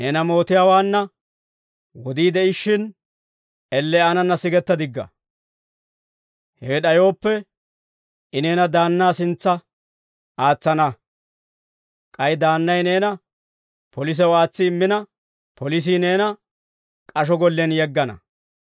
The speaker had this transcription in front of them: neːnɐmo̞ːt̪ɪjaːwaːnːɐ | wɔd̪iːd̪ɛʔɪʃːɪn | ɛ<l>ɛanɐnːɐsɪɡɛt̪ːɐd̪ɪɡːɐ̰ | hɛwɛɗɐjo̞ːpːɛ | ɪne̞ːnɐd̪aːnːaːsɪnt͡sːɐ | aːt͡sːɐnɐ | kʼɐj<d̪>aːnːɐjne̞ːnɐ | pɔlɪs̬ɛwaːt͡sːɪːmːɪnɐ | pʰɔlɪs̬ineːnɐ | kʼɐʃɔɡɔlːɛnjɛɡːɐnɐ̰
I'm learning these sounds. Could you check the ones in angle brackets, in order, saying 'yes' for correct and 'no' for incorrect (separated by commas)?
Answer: no, yes